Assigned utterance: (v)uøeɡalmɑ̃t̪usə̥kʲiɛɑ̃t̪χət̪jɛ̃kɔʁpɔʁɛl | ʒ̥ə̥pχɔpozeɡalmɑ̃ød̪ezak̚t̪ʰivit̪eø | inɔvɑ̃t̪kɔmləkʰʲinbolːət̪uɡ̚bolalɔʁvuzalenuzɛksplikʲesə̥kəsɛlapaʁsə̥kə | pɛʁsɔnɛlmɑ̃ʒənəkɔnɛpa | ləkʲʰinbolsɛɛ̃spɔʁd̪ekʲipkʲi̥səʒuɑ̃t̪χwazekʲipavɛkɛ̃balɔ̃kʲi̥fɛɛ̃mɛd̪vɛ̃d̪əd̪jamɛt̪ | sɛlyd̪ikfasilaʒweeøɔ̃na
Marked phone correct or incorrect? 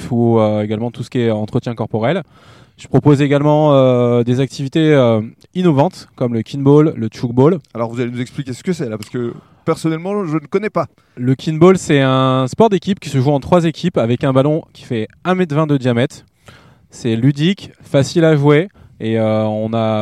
incorrect